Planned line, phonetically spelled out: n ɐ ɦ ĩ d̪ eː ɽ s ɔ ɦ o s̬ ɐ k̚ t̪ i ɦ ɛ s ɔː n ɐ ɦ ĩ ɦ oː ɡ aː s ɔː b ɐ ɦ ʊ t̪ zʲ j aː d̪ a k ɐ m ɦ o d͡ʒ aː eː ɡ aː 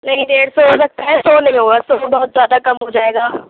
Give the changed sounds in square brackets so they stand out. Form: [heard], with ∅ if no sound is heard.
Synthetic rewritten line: n ɐ ɦ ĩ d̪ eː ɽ s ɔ ɦ o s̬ ɐ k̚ t̪ [a] ɦ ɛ s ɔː n ɐ ɦ ĩ ɦ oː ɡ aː s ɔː b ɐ ɦ ʊ t̪ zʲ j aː d̪ a k ɐ m ɦ o d͡ʒ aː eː ɡ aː